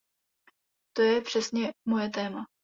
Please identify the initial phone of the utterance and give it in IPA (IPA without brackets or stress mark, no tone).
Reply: t̪